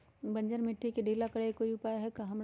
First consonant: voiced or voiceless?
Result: voiced